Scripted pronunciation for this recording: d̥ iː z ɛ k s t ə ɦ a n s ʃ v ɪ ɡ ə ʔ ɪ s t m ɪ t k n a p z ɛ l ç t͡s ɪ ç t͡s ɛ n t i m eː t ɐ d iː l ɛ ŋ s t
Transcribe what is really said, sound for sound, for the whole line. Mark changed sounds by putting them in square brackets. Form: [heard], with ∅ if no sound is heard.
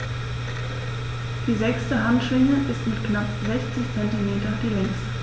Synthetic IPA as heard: d̥ iː z ɛ k s t ə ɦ a n [t] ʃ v ɪ [ŋ] ə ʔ ɪ s t m ɪ t k n a p z ɛ [∅] ç t͡s ɪ ç t͡s ɛ n t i m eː t ɐ d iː l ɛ ŋ s t